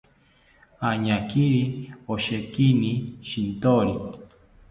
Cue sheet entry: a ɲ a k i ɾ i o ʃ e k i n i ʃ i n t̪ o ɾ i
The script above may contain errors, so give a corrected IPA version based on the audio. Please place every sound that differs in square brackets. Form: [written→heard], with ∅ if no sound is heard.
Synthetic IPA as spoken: a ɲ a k i ɾ i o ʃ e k i n i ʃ i n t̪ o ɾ i